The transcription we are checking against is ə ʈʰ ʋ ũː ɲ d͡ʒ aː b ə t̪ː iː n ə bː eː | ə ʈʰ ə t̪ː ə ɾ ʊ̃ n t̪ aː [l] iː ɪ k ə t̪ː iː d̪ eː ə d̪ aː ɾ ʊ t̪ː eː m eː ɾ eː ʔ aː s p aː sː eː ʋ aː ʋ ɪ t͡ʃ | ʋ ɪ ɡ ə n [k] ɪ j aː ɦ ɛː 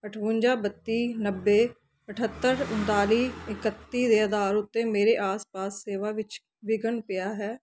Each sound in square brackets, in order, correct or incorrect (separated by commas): correct, incorrect